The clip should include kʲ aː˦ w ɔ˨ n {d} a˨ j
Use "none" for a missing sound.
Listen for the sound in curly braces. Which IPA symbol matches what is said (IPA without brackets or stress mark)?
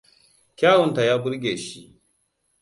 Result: t